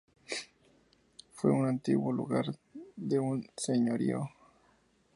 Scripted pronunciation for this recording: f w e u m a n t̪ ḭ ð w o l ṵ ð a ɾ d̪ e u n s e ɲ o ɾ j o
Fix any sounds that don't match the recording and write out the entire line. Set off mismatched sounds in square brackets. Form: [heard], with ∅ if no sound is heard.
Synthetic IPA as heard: f w e u [n] a n t̪ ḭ [ɣ] w o l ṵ [ɣ] a ɾ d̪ e u n s e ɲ o ɾ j o